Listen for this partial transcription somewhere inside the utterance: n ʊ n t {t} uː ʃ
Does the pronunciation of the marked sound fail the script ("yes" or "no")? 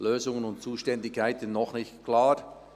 yes